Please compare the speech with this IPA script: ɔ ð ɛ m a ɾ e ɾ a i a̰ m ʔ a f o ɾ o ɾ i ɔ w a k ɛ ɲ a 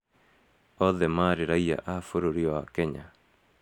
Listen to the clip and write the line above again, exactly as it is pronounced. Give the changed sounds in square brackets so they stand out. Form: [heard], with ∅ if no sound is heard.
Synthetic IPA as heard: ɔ ð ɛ m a ɾ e ɾ a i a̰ [∅] ʔ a f o ɾ o ɾ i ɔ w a k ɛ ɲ a